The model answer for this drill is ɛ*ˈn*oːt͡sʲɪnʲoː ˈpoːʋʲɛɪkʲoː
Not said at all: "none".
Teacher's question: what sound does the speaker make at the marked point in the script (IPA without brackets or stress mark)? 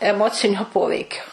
m